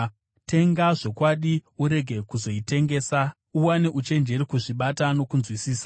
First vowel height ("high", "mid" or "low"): mid